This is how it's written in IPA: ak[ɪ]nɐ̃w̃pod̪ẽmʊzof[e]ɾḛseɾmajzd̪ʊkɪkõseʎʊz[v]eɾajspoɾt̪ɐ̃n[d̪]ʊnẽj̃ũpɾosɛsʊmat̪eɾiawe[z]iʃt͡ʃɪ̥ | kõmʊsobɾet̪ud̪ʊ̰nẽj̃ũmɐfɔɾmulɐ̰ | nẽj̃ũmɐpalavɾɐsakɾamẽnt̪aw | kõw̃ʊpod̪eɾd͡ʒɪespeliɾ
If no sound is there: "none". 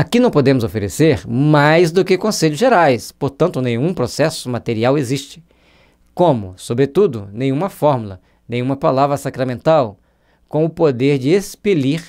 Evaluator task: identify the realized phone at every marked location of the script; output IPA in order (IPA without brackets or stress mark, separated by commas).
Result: i, e, ʒ, t̪, z